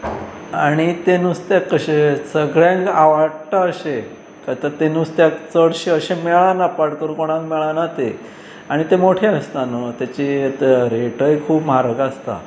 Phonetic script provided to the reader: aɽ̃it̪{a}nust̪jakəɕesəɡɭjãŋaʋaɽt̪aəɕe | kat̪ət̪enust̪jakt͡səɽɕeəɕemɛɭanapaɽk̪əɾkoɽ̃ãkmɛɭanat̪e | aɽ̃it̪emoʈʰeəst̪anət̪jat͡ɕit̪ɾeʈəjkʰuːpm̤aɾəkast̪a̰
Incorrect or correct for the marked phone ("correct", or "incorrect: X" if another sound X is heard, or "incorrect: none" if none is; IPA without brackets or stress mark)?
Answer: incorrect: e